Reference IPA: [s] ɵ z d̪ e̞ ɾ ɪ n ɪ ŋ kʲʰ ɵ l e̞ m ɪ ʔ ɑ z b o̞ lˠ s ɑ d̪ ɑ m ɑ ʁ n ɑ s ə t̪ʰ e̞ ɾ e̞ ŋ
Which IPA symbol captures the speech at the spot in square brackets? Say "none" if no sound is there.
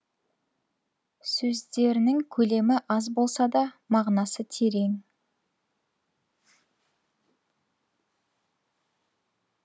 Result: s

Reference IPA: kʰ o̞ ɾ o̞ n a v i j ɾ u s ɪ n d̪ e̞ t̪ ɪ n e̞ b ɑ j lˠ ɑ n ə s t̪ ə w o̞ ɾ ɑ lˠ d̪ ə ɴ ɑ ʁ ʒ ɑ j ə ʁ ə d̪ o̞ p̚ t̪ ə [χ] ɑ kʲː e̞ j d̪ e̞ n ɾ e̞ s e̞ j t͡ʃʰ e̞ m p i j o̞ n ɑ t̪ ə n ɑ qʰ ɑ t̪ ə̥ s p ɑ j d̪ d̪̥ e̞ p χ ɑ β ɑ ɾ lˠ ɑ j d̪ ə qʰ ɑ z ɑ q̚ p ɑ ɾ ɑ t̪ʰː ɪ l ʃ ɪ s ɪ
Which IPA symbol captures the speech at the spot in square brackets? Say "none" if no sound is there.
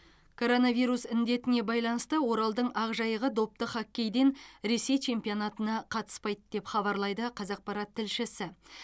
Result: χ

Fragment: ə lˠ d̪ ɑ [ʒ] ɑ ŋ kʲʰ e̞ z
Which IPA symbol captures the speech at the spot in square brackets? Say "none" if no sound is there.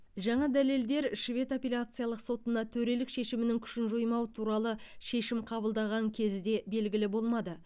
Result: ʁ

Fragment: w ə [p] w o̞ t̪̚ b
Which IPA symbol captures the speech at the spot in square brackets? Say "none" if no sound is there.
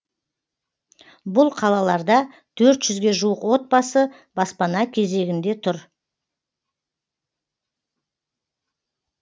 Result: q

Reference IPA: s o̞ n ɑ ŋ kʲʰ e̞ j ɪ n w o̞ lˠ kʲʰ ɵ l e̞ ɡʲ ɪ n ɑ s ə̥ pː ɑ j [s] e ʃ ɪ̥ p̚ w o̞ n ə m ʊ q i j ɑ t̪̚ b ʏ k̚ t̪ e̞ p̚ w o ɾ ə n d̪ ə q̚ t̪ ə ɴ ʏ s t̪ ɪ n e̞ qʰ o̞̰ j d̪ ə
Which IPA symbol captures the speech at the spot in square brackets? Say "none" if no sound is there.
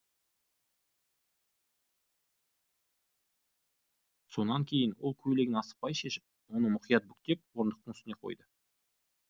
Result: ʃ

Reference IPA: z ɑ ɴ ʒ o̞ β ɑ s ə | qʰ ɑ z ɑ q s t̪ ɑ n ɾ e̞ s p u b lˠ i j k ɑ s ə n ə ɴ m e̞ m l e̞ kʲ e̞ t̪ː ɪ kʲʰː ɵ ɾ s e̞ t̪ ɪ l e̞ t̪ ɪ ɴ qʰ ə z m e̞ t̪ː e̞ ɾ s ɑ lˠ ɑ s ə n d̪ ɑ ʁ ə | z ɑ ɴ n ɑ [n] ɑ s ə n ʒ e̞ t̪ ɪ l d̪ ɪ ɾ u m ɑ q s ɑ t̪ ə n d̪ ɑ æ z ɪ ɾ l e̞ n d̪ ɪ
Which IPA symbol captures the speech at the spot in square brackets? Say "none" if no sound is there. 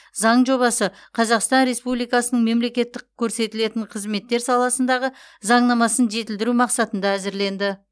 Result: m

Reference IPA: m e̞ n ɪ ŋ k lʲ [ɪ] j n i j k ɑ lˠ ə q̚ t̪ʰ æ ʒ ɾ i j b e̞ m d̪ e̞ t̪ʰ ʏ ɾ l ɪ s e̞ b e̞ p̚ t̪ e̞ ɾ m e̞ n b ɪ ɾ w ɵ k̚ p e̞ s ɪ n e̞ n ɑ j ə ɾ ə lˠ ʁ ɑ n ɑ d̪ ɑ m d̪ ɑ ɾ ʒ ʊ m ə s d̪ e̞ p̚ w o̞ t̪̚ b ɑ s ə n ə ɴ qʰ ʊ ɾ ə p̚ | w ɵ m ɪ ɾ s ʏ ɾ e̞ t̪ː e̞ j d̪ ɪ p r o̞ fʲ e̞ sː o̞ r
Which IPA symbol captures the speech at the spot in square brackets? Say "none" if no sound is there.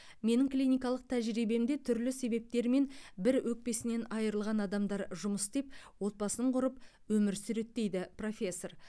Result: i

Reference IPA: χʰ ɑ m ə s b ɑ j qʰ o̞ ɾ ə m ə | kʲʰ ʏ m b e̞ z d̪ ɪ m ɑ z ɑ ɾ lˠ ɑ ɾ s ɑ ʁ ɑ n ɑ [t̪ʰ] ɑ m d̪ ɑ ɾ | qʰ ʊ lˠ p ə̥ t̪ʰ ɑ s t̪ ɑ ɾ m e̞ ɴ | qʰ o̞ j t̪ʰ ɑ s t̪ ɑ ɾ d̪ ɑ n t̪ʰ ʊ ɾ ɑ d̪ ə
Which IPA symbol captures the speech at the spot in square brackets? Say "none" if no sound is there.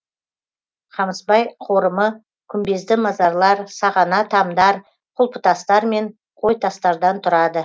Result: t̪ʰ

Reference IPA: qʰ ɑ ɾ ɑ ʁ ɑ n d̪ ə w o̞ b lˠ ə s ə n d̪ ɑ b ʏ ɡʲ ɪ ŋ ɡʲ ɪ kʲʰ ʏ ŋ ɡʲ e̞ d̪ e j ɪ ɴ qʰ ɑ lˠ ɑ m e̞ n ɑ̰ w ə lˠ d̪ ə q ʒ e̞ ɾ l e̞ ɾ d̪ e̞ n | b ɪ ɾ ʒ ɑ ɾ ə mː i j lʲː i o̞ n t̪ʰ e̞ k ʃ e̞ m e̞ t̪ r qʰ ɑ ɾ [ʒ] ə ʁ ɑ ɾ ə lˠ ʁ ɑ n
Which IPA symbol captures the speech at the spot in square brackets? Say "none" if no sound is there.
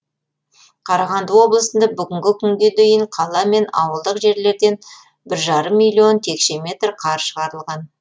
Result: ʃ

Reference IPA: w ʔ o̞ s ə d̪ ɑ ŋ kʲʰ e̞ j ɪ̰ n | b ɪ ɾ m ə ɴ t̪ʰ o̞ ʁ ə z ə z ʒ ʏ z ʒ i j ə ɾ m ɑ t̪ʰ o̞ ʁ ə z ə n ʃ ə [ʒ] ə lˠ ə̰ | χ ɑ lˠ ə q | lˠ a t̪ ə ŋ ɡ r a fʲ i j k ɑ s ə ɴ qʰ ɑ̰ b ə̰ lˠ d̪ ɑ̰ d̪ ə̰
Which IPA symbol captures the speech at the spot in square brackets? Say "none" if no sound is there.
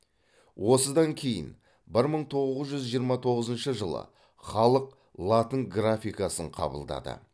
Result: ʒ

